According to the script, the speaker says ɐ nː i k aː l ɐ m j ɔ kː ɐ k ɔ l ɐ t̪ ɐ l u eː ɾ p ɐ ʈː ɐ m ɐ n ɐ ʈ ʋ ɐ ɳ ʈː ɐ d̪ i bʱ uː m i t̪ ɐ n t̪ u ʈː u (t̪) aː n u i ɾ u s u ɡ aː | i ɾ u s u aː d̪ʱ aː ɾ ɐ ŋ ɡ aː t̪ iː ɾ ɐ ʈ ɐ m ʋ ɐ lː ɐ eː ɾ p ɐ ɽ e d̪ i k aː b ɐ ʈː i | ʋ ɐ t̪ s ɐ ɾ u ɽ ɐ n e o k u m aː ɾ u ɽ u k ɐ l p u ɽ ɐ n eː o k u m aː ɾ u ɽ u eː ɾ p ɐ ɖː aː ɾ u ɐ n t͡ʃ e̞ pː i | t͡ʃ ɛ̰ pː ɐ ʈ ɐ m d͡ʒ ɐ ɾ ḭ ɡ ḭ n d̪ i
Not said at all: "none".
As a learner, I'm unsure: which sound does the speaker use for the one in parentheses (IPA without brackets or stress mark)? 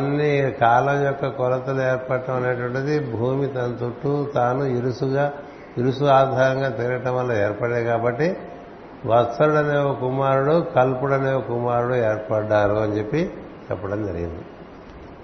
t̪